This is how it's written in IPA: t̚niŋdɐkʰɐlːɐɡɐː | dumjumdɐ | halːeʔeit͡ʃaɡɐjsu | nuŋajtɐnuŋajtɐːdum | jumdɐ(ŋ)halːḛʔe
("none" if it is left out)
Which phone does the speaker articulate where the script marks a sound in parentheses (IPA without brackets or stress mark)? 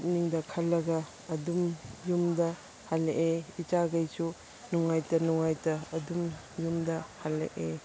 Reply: none